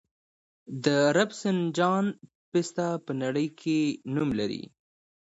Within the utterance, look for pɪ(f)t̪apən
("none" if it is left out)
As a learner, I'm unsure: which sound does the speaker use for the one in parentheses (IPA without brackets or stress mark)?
s